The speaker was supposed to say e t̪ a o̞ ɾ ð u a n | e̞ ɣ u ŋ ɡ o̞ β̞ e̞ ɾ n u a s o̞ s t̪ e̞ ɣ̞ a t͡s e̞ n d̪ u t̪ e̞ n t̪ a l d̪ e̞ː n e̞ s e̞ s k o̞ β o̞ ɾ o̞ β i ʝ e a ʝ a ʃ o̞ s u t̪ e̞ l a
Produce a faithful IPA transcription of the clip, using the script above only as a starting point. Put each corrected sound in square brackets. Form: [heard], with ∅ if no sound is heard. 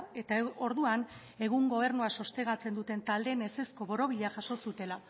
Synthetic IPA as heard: e t̪ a o̞ ɾ ð u a n | e̞ ɣ u ŋ ɡ o̞ β̞ e̞ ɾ n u a s o̞ s t̪ e̞ ɣ̞ a t͡s e̞ n d̪ u t̪ e̞ n t̪ a l d̪ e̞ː n e̞ s e̞ s k o̞ β o̞ ɾ o̞ β i [ʎ] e a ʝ a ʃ o̞ s u t̪ e̞ l a

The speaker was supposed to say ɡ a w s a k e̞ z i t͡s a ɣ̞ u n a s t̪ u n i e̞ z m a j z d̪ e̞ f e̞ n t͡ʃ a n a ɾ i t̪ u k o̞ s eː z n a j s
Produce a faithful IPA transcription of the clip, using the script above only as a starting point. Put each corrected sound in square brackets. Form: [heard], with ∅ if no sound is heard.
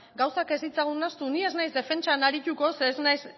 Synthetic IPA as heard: ɡ a w s a k e̞ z i t͡s a ɣ̞ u n a s t̪ u n i e̞ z [n] a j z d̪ e̞ f e̞ n t͡ʃ a n a ɾ i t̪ u k o̞ s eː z n a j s

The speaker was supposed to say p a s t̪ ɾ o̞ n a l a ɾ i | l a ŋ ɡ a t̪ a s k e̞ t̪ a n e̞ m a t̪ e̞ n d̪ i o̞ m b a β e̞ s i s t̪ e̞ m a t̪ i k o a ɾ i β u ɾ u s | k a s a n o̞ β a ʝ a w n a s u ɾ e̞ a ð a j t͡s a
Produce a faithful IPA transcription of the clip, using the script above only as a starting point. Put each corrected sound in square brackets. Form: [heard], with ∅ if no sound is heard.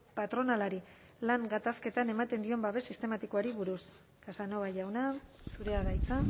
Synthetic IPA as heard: p a [∅] t̪ ɾ o̞ n a l a ɾ i | l a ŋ ɡ a t̪ a s k e̞ t̪ a n e̞ m a t̪ e̞ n d̪ i o̞ m b a β e̞ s i s t̪ e̞ m a t̪ i k o a ɾ i β u ɾ u s | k a s a n o̞ β a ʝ a w n a s u ɾ e̞ a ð a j t͡s a

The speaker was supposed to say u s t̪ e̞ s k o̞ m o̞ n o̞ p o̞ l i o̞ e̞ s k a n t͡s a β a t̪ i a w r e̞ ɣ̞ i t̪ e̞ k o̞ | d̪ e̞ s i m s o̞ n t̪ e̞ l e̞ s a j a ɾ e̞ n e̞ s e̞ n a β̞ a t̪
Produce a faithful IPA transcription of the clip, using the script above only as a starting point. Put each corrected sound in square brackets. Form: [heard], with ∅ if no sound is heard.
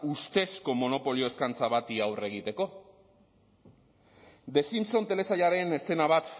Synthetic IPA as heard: u s t̪ e̞ s k o̞ m o̞ n o̞ p o̞ l i o̞ e̞ s k a n t͡s a β a t̪ i a w r e̞ ɣ̞ i t̪ e̞ k o̞ | d̪ e̞ s i m s o̞ n t̪ e̞ l e̞ s a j a ɾ e̞ n e̞ s e̞ n a β̞ a t̪

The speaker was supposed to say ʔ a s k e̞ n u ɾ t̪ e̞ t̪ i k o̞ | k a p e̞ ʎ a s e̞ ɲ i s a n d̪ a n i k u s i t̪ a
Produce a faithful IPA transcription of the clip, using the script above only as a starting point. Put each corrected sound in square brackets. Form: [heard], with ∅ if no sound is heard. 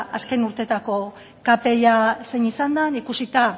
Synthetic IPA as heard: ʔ a s k e̞ n u ɾ t̪ e̞ t̪ [a] k o̞ | k a p e̞ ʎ a s e̞ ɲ i s a n d̪ a n i k u s i t̪ a

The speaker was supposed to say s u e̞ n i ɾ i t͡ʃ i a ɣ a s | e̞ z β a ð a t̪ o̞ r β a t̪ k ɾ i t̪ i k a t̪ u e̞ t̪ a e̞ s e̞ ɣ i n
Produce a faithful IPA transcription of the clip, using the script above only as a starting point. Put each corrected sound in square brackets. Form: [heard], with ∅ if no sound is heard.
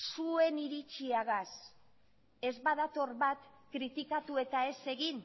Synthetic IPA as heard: s u e̞ n i ɾ i t͡ʃ i a ɣ a s | e̞ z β a ð a t̪ o̞ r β a t̪ k ɾ i t̪ i k a t̪ u e̞ t̪ a e̞ s e̞ ɣ i n

